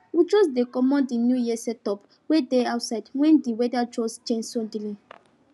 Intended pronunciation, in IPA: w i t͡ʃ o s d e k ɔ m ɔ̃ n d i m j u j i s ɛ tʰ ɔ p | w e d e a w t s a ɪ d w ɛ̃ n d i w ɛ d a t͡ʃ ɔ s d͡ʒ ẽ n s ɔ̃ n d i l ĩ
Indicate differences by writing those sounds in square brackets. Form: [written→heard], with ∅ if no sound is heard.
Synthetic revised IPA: w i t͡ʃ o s d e k ɔ m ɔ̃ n d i [m→n] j u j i s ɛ [tʰ→t] ɔ p | w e d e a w t s a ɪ d w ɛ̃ n d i w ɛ d a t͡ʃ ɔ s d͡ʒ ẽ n s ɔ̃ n d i l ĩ